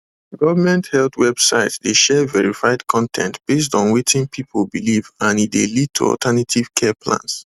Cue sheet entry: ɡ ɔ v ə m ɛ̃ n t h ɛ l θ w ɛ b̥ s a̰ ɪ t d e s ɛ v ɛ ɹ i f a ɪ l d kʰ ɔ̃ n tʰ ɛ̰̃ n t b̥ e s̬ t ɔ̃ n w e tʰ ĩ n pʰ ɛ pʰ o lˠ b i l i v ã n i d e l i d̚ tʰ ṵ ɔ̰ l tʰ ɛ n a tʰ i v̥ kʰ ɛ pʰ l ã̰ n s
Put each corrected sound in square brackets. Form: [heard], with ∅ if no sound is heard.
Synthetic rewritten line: ɡ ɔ v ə m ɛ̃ n t h ɛ l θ w ɛ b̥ s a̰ ɪ t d e [ʃ] ɛ v ɛ ɹ i f a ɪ [∅] d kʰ ɔ̃ n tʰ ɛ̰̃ n t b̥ e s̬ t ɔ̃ n w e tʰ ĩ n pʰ [i] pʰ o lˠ b i l i v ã n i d e l i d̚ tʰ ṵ ɔ̰ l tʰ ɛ n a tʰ i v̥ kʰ ɛ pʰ l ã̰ n s